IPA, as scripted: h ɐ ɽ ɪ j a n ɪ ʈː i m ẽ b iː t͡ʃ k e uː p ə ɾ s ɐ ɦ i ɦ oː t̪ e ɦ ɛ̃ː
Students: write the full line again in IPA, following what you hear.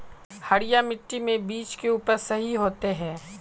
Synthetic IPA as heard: h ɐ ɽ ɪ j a m ɪ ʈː i m ẽ b iː t͡ʃ k e uː p ə ɾ s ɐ ɦ i ɦ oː t̪ e ɦ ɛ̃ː